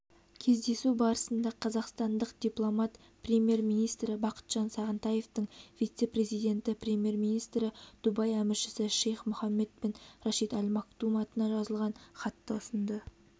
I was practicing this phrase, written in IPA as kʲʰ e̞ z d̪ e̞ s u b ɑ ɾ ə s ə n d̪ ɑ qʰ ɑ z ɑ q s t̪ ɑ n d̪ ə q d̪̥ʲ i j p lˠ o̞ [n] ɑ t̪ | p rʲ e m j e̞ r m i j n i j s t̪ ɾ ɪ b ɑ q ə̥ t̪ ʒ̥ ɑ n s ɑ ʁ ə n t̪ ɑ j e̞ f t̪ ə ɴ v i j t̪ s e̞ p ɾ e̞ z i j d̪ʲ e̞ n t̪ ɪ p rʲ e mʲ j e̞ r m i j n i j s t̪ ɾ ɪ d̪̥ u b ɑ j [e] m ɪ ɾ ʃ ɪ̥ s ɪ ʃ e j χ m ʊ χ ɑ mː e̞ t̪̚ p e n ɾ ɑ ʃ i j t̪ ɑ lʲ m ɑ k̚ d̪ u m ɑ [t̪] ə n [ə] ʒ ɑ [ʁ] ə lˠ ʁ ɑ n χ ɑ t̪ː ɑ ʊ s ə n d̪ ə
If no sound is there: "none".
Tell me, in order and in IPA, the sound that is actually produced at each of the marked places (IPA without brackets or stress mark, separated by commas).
m, æ, t̪, ɑ, z